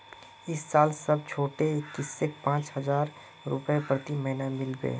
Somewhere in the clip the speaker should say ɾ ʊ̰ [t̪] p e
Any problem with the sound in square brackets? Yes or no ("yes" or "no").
yes